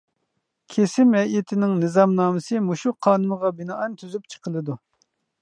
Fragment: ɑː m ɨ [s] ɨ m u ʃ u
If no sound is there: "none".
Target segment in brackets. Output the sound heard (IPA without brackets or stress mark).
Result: s